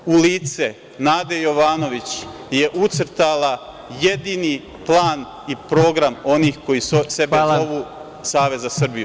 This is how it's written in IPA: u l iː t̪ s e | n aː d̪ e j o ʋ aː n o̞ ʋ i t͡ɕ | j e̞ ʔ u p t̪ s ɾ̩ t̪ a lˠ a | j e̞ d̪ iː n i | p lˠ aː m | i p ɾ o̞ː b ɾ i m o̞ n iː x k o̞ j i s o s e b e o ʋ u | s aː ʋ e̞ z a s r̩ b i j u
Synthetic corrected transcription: u l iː t̪ s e | n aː d̪ e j o ʋ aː n o̞ ʋ i t͡ɕ | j e̞ ʔ u t̪ s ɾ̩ t̪ a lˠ a | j e̞ d̪ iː n i | p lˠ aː n | i p ɾ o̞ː ɡ ɾ a m o̞ n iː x k o̞ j i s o s e b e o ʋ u | s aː ʋ e̞ z a s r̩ b i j u